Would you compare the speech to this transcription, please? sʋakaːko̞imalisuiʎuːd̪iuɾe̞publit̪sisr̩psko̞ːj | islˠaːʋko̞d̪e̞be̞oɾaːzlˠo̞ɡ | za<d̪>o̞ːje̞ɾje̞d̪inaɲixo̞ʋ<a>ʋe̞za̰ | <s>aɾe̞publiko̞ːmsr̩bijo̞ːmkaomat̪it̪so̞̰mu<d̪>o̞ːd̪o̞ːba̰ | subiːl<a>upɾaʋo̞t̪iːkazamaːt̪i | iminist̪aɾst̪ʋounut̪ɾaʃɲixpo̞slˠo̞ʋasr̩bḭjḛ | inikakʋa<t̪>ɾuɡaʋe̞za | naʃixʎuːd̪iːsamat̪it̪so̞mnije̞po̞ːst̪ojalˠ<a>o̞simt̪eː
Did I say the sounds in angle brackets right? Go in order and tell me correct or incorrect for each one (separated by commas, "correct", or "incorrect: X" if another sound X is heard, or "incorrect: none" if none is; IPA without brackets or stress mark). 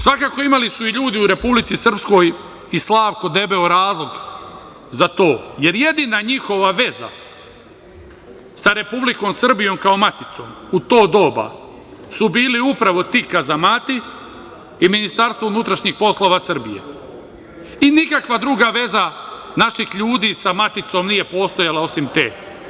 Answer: incorrect: t̪, correct, correct, incorrect: t̪, incorrect: i, incorrect: d̪, correct